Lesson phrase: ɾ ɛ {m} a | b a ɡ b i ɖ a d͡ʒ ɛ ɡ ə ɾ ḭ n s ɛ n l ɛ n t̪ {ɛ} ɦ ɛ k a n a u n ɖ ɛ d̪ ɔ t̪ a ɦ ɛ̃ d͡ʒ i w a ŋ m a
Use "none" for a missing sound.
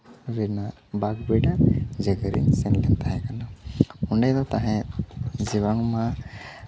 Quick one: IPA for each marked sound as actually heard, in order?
n, a

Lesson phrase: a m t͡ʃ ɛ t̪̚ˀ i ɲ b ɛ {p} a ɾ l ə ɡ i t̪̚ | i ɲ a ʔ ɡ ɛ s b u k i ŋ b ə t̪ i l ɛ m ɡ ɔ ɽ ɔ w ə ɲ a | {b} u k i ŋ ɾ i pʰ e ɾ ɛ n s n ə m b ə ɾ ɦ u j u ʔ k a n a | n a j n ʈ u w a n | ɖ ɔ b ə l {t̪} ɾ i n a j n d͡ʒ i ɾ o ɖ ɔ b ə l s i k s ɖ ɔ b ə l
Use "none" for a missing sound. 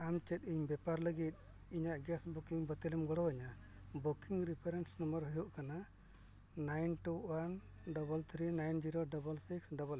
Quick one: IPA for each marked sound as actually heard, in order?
p, b, t̪ʰ

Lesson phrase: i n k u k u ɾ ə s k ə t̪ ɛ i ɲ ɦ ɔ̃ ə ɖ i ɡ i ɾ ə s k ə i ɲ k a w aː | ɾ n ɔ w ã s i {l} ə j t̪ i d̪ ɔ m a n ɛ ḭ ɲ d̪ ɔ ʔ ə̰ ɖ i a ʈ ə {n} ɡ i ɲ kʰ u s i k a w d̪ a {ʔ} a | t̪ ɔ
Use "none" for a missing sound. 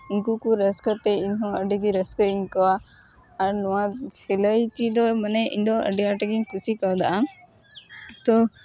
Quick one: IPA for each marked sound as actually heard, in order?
l, none, ʔ

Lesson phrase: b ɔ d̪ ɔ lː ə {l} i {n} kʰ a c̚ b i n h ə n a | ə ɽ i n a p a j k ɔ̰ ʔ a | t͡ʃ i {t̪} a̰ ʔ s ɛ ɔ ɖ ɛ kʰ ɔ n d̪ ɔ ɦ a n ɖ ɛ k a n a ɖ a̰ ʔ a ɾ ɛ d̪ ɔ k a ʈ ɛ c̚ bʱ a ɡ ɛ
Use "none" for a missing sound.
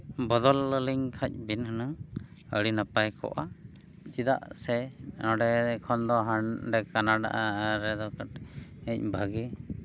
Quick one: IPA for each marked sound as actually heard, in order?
l, ŋ, d̪

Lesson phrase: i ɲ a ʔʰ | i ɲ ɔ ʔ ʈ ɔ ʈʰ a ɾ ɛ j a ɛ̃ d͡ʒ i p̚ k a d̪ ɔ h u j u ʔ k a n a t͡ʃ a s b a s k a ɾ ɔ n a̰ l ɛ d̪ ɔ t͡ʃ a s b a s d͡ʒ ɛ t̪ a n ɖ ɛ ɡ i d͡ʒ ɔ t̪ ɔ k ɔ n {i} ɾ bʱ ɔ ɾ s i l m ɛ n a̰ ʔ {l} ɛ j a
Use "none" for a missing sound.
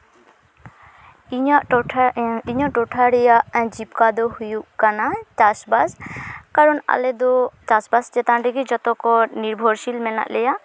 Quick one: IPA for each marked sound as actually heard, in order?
i, l

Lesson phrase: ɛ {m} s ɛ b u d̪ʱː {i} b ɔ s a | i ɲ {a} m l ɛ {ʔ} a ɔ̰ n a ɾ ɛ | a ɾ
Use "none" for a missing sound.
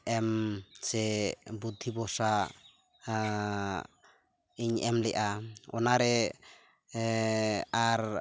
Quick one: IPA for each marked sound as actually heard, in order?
m, i, ɛ, ʔ

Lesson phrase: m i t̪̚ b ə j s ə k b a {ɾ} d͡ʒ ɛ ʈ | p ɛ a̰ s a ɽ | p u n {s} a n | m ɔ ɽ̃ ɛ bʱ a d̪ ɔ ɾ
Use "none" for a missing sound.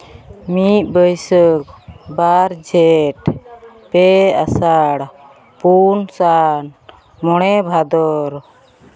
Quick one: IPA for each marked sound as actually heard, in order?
ɾ, s

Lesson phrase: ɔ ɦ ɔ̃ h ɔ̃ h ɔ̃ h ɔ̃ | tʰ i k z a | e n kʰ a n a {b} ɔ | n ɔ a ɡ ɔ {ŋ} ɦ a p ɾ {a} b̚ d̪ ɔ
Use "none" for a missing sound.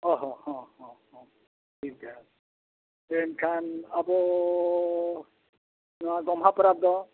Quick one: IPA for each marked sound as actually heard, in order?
b, m, a

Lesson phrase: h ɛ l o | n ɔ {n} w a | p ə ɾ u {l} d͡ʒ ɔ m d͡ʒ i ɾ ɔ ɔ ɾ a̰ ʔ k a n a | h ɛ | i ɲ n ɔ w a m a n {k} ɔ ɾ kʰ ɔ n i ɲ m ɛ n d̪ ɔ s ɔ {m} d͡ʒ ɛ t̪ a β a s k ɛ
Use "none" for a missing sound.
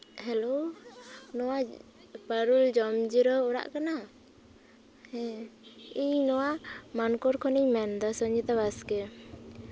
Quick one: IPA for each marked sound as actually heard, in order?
none, l, k, ɲ

